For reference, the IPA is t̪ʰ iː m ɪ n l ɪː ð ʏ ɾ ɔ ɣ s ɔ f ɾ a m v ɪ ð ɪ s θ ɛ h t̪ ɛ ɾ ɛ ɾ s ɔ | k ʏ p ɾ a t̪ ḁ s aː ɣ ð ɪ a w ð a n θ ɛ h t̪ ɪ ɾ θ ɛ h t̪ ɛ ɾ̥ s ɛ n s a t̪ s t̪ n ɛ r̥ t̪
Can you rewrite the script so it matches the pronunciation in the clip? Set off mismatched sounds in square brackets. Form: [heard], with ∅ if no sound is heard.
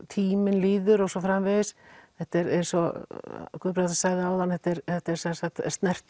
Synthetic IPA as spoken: t̪ʰ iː m ɪ n l [iː] ð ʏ ɾ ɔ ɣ s ɔ f ɾ a m v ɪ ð ɪ s θ ɛ h t̪ ɛ ɾ ɛ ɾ s ɔ | k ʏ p ɾ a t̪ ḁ s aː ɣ ð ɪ a w ð a n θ ɛ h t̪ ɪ ɾ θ ɛ h t̪ ɛ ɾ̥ s ɛ n s a t̪ s t̪ n ɛ r̥ t̪